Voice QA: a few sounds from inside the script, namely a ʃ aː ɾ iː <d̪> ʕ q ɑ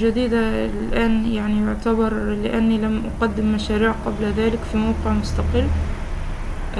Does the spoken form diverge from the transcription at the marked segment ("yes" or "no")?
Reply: yes